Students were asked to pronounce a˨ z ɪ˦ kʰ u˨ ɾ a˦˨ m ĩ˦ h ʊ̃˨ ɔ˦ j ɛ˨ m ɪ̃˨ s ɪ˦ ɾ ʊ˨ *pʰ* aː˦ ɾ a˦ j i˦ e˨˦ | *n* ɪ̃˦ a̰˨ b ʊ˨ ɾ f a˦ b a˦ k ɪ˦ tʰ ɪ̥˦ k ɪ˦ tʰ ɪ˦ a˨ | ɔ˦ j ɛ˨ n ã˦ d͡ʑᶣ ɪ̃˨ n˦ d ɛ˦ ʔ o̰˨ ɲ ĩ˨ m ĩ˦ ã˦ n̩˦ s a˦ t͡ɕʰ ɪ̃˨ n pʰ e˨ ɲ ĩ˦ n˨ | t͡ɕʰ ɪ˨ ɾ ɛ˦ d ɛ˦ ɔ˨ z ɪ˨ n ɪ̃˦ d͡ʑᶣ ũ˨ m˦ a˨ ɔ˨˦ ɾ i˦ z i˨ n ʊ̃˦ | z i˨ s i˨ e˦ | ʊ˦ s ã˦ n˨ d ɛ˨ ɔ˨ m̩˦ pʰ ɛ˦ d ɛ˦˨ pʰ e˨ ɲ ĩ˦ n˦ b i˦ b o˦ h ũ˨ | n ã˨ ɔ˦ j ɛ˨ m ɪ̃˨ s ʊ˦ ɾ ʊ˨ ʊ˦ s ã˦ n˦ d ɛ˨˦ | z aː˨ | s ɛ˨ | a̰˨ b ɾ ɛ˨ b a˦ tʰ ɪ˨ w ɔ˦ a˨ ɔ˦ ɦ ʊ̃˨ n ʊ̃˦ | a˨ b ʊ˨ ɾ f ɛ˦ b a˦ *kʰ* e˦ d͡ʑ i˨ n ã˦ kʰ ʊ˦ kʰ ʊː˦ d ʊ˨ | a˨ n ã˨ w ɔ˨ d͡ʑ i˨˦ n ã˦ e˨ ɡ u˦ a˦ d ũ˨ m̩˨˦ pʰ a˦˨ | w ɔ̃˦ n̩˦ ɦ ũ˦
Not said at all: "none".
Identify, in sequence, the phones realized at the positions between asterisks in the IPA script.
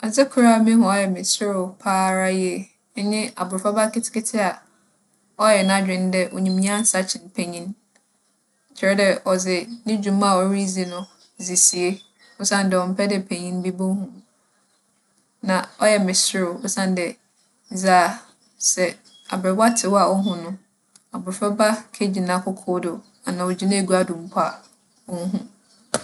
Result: pʰ, ɲ, kʰ

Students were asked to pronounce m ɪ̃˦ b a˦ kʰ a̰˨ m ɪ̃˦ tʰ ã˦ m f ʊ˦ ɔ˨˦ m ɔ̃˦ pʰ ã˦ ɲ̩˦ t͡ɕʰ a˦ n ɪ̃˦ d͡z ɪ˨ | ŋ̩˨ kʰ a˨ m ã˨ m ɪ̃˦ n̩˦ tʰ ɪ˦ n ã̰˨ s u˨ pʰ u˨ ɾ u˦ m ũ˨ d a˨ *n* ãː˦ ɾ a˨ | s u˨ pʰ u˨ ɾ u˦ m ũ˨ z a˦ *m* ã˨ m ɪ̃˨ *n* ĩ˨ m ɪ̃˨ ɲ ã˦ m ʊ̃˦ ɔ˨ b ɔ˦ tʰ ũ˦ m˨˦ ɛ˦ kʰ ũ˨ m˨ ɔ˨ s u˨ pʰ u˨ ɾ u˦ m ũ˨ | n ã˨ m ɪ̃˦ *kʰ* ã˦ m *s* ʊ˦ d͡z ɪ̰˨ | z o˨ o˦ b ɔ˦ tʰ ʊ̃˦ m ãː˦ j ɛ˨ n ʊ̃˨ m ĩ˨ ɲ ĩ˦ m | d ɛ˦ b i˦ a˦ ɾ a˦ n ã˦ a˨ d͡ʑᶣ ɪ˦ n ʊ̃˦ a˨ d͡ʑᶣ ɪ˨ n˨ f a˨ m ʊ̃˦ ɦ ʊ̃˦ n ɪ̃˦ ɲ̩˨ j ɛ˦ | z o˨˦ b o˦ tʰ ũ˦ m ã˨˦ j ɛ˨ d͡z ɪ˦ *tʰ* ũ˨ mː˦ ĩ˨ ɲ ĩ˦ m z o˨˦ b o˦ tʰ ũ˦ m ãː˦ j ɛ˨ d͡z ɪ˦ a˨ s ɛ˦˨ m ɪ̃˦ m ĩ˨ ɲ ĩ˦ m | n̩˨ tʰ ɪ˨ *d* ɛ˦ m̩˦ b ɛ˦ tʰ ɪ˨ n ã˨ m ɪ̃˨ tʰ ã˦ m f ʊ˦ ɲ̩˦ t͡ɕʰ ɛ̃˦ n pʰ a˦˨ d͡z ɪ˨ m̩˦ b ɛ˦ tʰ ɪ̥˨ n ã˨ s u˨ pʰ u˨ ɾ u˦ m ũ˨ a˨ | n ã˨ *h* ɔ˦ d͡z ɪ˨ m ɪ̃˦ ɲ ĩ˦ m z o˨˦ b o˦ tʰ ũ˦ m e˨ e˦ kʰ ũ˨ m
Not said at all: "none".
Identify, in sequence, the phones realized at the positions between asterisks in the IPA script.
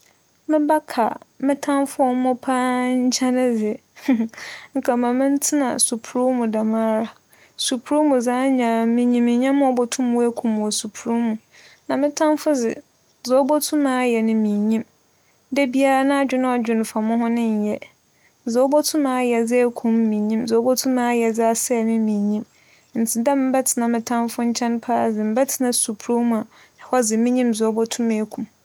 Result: m, ɲ, ɲ, tʰ, f, kʰ, d, h

